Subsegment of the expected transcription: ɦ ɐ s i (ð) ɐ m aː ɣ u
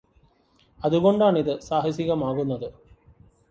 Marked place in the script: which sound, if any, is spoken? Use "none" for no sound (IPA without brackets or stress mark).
ɣ